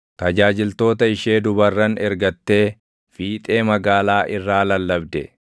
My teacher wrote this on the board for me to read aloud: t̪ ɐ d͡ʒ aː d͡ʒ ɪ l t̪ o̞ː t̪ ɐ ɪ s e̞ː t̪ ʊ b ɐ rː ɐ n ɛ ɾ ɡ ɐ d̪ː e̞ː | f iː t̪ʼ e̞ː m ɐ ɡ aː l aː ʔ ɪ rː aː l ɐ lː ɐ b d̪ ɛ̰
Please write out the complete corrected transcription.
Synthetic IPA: t̪ ɐ d͡ʒ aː d͡ʒ ɪ l t̪ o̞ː t̪ ɐ ɪ ʃ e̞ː d̪ ʊ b ɐ rː ɐ n ɛ ɾ ɡ ɐ t̪ː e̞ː | f iː t̪ʼ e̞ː m ɐ ɡ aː l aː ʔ ɪ rː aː l ɐ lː ɐ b d̪ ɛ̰